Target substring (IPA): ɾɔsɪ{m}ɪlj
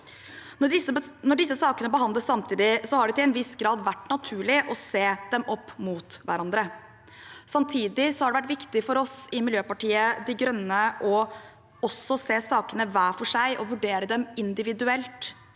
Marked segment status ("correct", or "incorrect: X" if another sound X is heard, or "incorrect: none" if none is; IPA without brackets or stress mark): correct